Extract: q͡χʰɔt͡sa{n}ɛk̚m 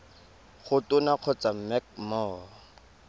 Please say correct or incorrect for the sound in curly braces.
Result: incorrect: m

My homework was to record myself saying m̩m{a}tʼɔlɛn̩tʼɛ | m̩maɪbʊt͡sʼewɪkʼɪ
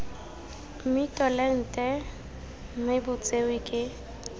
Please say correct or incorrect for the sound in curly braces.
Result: incorrect: i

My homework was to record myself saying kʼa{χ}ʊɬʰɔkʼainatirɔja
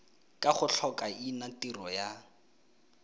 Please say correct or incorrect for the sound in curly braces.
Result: correct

